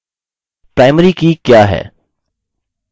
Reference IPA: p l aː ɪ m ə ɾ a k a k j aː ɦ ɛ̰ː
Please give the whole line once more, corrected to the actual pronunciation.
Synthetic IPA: p ɾ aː ɪ m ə ɾ i k i k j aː ɦ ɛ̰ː